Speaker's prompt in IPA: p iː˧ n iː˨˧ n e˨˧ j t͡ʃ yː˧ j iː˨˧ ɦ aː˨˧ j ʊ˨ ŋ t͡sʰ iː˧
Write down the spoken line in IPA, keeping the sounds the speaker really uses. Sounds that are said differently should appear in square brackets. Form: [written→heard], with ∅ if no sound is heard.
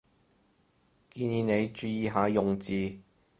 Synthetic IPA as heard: [p→k] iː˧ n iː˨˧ n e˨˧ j t͡ʃ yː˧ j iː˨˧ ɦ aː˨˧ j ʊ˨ ŋ [t͡sʰ→t͡s] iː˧